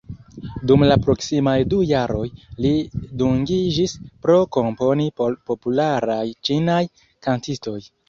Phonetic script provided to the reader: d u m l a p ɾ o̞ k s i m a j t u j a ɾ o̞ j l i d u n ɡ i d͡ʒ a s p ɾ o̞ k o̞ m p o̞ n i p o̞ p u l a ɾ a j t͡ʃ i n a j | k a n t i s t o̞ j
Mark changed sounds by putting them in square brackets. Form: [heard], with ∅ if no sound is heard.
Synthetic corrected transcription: d u m l a p ɾ o̞ k s i m a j [d] u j a ɾ o̞ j l i d u [ŋ] ɡ i d͡ʒ [i] s p ɾ o̞ k o̞ m p o̞ n i p o̞ p u l a ɾ a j t͡ʃ i n a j | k a n t i s t o̞ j